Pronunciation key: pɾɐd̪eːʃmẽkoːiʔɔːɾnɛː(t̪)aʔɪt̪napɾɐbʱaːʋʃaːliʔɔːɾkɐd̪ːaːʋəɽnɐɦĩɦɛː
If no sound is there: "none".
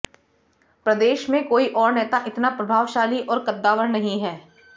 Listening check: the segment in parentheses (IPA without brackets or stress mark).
t̪